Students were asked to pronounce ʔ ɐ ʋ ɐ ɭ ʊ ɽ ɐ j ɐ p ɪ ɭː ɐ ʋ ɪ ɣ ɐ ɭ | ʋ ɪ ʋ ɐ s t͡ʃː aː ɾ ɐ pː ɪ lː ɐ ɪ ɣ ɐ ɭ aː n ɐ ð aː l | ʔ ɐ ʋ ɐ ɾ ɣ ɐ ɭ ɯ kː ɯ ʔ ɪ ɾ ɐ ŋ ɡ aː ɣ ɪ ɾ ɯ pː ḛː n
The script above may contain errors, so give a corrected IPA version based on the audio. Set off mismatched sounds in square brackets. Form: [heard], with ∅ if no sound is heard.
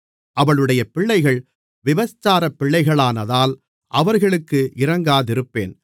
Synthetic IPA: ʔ ɐ ʋ ɐ ɭ [ɯ] ɽ ɐ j ɐ p ɪ ɭː ɐ [∅] ɪ ɣ ɐ ɭ | ʋ ɪ ʋ ɐ s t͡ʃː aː ɾ ɐ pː ɪ [ɭː] ɐ ɪ ɣ ɐ ɭ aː n ɐ ð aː l | ʔ ɐ ʋ ɐ ɾ ɣ ɐ ɭ ɯ kː ɯ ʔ ɪ ɾ ɐ ŋ ɡ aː [ð] ɪ ɾ ɯ pː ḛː n